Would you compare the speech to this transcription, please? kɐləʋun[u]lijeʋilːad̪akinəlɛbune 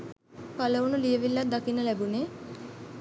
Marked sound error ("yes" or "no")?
no